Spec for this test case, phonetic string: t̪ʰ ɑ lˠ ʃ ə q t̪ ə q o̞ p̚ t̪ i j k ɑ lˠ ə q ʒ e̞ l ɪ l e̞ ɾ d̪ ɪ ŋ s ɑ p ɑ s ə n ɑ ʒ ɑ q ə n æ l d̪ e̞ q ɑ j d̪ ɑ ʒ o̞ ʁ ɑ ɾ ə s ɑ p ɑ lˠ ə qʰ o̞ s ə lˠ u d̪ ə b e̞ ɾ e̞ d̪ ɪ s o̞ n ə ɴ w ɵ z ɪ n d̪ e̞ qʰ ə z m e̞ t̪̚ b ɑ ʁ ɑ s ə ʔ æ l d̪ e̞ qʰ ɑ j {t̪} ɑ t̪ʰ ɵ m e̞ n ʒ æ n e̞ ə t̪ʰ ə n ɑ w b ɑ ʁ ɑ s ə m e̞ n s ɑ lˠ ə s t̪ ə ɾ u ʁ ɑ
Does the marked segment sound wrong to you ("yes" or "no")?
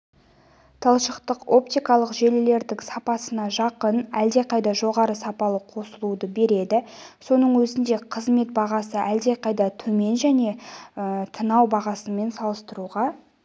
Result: yes